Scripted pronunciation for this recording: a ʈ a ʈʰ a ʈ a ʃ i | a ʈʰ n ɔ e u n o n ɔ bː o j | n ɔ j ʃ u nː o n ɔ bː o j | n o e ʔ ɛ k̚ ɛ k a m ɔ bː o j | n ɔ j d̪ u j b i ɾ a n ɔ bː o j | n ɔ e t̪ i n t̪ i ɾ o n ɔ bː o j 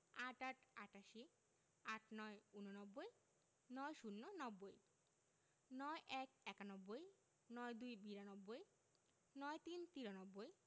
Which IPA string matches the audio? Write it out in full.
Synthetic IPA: a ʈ a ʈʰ a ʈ a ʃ i | a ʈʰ n ɔ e u n o n ɔ bː o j | n ɔ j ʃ u nː o n ɔ bː o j | n ɔ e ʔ ɛ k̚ ɛ k a n ɔ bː o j | n ɔ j d̪ u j b i ɾ a n ɔ bː o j | n ɔ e t̪ i n t̪ i ɾ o n ɔ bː o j